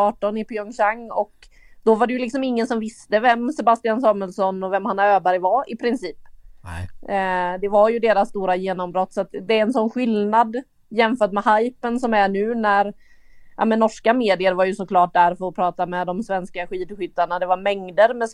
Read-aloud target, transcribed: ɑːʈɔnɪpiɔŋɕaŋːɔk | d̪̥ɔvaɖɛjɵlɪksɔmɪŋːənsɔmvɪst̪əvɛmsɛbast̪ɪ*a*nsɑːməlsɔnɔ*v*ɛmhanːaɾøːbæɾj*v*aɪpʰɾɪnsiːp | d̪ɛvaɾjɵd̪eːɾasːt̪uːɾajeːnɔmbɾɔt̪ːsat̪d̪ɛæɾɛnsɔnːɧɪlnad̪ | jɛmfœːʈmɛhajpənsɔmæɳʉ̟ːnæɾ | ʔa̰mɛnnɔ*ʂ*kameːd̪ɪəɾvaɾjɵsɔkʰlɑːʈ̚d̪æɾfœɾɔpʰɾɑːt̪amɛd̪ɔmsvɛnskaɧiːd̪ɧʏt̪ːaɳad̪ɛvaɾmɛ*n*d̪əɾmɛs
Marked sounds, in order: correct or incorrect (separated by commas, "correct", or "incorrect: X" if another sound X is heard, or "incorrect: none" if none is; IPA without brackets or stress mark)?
correct, correct, correct, correct, incorrect: ŋ